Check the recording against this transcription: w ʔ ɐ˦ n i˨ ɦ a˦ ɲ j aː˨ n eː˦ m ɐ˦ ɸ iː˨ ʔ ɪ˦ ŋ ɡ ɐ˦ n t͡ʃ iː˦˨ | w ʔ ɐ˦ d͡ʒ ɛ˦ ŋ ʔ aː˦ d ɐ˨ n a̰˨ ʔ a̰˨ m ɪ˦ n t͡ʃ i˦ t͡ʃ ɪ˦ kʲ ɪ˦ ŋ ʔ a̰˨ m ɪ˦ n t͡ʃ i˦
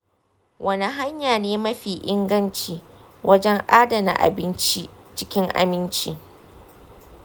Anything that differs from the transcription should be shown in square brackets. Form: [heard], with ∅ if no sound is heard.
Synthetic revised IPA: w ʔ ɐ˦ n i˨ ɦ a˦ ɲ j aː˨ n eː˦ m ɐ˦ ɸ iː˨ ʔ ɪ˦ ŋ ɡ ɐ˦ n t͡ʃ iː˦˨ | w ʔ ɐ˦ d͡ʒ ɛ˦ ŋ ʔ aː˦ d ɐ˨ n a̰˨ ʔ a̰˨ [b] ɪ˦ n t͡ʃ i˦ t͡ʃ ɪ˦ kʲ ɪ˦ ŋ ʔ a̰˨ m ɪ˦ n t͡ʃ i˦